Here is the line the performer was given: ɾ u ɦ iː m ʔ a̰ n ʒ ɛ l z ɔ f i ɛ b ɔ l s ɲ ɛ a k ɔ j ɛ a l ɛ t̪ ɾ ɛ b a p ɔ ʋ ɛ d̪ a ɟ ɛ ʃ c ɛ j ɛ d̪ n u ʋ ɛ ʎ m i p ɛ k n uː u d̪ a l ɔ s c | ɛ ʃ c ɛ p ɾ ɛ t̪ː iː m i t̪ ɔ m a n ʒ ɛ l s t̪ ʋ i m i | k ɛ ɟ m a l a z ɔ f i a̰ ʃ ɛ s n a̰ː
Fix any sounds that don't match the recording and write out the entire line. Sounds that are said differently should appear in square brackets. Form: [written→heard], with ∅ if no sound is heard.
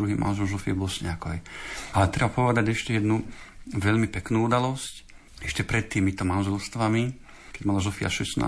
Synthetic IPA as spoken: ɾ u ɦ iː m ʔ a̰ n ʒ ɛ l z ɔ f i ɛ b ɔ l s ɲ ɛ a k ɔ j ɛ a l ɛ t̪ ɾ ɛ b a p ɔ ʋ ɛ d̪ a ɟ ɛ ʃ c ɛ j ɛ d̪ n u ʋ ɛ ʎ m i p ɛ k n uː u d̪ a l ɔ s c | ɛ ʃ c ɛ p ɾ ɛ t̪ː iː m i t̪ ɔ m a n ʒ ɛ l s t̪ ʋ [i→a] m i | k ɛ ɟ m a l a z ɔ f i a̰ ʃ ɛ s n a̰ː